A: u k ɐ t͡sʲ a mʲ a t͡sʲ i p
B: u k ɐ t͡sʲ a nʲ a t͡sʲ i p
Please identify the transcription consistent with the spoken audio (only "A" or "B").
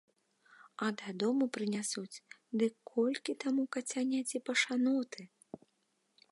B